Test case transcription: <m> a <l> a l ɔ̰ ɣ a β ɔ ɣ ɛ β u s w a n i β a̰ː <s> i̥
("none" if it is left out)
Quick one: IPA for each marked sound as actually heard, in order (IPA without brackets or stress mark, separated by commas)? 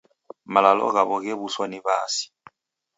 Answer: m, l, s